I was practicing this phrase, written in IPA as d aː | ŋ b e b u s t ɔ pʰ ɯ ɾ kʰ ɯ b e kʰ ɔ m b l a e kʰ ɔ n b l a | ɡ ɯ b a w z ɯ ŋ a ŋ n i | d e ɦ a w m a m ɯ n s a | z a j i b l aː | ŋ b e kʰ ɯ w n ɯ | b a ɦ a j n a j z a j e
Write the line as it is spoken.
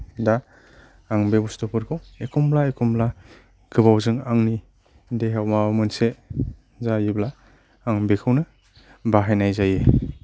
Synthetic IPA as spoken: d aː | ŋ b e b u s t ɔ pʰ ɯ ɾ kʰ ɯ w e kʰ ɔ m b l a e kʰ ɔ m b l a | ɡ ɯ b a w z ɯ ŋ a ŋ n i | d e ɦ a w m a m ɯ n s e | z a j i b l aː | ŋ b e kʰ ɯ w n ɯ | b a ɦ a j n a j z a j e